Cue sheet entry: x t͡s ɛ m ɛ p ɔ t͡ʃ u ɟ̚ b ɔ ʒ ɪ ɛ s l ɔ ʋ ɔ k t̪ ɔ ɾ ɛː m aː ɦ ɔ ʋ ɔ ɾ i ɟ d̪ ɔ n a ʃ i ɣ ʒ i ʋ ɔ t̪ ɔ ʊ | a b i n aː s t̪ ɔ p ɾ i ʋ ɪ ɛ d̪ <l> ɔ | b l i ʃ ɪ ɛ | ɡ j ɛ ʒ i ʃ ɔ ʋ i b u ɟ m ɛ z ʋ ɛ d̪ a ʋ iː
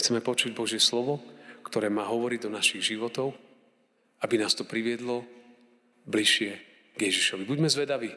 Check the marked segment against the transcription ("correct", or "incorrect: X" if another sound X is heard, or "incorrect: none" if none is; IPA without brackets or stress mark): correct